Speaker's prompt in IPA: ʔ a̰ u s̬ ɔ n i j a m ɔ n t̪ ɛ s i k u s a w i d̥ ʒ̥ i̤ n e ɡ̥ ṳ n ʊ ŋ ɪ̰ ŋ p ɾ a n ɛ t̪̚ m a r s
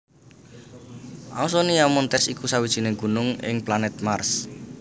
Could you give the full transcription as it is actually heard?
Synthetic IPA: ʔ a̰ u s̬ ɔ n i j a m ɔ n t̪ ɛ s i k u s a w i d̥ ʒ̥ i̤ n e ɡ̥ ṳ n ʊ ŋ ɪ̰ ŋ p l a n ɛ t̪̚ m a r s